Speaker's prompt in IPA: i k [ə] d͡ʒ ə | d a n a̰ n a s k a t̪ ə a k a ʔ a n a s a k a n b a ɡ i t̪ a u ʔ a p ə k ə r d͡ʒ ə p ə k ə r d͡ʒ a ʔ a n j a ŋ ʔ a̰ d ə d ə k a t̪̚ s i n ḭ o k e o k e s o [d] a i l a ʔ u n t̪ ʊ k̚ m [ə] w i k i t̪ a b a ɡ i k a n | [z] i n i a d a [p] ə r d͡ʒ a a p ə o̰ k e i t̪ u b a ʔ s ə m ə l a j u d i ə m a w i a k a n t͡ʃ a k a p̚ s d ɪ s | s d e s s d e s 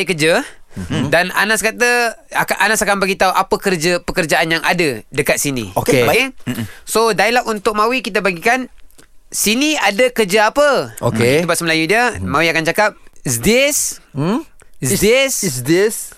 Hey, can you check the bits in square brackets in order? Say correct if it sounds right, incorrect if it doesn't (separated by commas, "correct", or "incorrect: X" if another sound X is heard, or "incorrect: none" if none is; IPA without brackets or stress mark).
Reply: correct, correct, incorrect: a, incorrect: s, incorrect: k